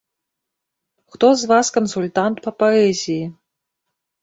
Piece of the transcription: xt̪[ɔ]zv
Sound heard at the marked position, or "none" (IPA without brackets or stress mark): ɔ